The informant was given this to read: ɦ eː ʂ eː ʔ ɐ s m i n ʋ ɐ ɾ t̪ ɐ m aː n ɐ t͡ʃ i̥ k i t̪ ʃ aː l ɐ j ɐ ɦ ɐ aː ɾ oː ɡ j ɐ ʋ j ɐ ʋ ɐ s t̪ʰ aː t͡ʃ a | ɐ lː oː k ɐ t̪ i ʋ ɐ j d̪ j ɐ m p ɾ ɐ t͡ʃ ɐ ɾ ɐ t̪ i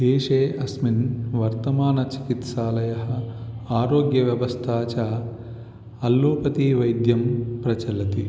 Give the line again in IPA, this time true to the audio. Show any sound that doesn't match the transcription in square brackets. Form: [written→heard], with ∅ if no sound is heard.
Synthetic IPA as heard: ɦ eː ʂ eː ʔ ɐ s m i n ʋ ɐ ɾ t̪ ɐ m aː n ɐ t͡ʃ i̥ k i t̪ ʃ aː l ɐ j ɐ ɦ ɐ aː ɾ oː ɡ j ɐ ʋ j ɐ ʋ ɐ s t̪ʰ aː t͡ʃ a | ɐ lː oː [k→p] ɐ t̪ i ʋ ɐ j d̪ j ɐ m p ɾ ɐ t͡ʃ ɐ [ɾ→l] ɐ t̪ i